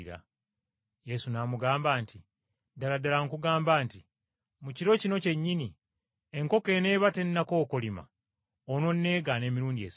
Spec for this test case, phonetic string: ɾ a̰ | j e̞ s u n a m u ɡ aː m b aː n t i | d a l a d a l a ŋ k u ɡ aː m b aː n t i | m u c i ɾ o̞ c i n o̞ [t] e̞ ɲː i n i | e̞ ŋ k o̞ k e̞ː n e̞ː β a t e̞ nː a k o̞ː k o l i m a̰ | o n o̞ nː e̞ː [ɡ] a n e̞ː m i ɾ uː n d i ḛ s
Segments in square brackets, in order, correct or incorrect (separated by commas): incorrect, correct